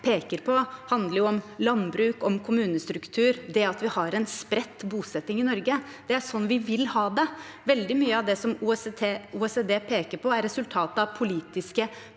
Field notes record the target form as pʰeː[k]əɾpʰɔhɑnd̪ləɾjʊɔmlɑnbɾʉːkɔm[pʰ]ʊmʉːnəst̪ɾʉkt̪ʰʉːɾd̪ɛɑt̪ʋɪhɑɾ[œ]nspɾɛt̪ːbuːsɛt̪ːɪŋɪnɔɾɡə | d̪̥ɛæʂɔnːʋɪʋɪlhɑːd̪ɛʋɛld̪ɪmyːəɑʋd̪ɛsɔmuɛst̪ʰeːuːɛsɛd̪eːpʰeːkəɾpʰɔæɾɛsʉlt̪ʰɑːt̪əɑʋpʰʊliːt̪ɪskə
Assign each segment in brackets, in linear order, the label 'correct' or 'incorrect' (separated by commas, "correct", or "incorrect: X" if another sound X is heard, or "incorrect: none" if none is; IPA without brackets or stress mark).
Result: correct, incorrect: kʰ, incorrect: ɛ